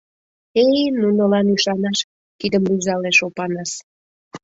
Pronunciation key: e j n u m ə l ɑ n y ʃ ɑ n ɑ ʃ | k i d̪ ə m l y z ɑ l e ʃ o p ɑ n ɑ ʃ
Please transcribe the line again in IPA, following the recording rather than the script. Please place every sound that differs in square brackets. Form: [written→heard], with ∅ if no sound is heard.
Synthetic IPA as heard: e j n u [m→n] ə l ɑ n y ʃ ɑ n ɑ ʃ | k i d̪ ə m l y z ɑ l e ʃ o p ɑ n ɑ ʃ